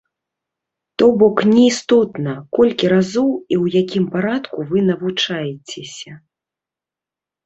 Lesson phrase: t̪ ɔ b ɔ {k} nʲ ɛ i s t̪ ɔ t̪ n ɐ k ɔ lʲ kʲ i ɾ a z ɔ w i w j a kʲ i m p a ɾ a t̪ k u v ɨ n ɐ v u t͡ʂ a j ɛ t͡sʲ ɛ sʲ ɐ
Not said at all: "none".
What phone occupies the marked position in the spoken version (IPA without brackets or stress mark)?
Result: k